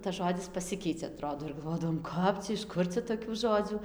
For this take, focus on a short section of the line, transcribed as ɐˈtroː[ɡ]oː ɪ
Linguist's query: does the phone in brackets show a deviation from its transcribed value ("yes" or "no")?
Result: yes